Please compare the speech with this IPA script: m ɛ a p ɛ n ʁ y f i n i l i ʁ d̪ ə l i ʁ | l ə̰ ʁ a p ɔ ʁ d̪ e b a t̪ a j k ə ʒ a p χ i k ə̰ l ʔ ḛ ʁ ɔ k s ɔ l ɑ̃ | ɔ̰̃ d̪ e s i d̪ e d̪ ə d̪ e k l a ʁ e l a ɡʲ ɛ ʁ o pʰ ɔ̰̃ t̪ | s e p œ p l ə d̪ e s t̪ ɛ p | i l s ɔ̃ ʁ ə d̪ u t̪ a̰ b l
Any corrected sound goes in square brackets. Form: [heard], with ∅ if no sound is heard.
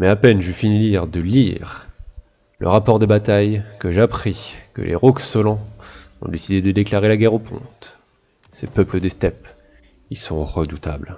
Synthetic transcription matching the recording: m ɛ a p ɛ n [ʒ] y f i n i l i ʁ d̪ ə l i ʁ | l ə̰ ʁ a p ɔ ʁ d̪ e b a t̪ a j k ə ʒ a p χ i k ə̰ l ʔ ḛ ʁ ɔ k s ɔ l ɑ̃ | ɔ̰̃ d̪ e s i d̪ e d̪ ə d̪ e k l a ʁ e l a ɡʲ ɛ ʁ o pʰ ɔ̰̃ t̪ | s e p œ p l ə d̪ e s t̪ ɛ p | i l s ɔ̃ ʁ ə d̪ u t̪ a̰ b l

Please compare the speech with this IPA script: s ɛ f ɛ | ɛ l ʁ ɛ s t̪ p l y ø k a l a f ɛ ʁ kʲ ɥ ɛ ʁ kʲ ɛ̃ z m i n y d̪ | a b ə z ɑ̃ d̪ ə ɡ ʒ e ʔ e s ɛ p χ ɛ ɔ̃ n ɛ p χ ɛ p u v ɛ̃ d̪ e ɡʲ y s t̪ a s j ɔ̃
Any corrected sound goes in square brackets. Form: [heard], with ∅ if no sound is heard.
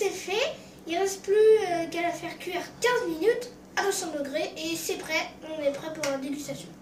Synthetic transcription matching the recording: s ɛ f ɛ | [i] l ʁ ɛ s t̪ p l y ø k a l a f ɛ ʁ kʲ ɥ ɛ ʁ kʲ ɛ̃ z m i n y [t̪] | a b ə [s] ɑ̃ d̪ ə ɡ [ʁ] e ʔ e s ɛ p χ ɛ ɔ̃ n ɛ p χ ɛ p u [ʁ] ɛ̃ d̪ e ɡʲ y s t̪ a s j ɔ̃

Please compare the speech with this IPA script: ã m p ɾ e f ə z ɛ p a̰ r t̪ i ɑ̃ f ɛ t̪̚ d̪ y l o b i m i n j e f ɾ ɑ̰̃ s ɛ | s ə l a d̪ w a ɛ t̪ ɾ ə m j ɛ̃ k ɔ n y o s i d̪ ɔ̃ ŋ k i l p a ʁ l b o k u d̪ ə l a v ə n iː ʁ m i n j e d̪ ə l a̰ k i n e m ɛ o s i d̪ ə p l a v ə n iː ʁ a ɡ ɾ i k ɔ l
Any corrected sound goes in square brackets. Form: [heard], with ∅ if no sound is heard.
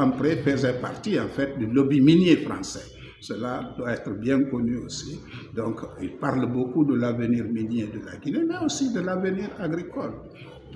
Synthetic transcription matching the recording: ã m p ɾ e f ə z ɛ p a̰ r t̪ i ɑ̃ f ɛ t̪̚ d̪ y l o b i m i n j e f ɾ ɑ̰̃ s ɛ | s ə l a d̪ w a ɛ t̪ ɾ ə [b] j ɛ̃ k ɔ n y o s i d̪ ɔ̃ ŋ k i l p a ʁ l b o k u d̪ ə l a v ə n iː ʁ m i n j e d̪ ə l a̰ [ɡ] i n e m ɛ o s i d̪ ə [∅] l a v ə n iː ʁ a ɡ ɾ i k ɔ l

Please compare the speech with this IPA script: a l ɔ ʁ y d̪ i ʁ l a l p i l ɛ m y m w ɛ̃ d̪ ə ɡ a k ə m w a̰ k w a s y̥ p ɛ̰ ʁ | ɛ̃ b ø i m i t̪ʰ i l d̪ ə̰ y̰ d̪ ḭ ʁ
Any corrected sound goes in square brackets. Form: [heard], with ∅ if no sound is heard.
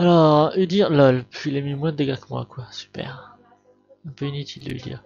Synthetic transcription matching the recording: a l ɔ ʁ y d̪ i ʁ l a l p i l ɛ m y m w ɛ̃ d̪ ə ɡ a k ə m w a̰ k w a s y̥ p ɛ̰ ʁ | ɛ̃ [p] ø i [n] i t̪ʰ i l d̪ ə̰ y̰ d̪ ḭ ʁ

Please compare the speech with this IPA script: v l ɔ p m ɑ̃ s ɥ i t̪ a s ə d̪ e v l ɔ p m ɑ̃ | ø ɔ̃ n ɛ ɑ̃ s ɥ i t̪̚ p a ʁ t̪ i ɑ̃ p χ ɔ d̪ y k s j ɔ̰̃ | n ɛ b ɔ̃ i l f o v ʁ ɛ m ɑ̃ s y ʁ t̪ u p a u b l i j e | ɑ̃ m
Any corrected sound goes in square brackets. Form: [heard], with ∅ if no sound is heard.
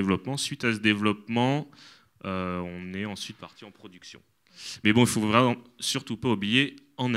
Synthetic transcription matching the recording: v l ɔ p m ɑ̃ s ɥ i t̪ a s ə d̪ e v l ɔ p m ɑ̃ | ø ɔ̃ n ɛ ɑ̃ s ɥ i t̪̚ p a ʁ t̪ i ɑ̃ p χ ɔ d̪ y k s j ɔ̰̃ | [m] ɛ b ɔ̃ i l f o v ʁ ɛ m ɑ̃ s y ʁ t̪ u p a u b l i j e | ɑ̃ [n]

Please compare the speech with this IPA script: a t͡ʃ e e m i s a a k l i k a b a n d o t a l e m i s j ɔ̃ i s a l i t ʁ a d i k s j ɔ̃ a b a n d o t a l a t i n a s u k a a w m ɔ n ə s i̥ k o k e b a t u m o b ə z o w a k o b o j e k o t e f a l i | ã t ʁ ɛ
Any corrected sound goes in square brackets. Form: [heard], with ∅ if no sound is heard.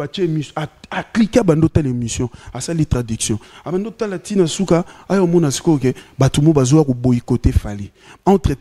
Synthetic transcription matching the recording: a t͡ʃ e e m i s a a k l i k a b a n d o t a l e m i s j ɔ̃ [a] s a l i t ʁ a d i k s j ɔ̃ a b a n d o t a l a t i n a s u k a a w m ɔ n [a] s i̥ k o k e b a t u m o b [a] z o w a k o b o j [i] k o t e f a l i | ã t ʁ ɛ

